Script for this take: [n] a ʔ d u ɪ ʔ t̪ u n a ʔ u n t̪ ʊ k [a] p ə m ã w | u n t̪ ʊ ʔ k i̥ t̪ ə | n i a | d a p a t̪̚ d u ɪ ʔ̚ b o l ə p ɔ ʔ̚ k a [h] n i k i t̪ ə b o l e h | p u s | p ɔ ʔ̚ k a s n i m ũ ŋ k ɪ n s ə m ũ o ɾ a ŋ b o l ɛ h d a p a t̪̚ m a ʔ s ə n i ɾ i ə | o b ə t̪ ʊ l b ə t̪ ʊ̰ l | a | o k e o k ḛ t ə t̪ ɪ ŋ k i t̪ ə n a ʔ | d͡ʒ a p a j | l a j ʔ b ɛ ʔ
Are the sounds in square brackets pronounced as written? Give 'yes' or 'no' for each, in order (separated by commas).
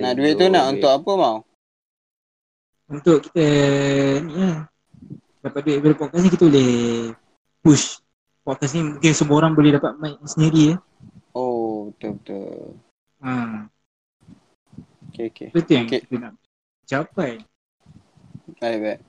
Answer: yes, yes, no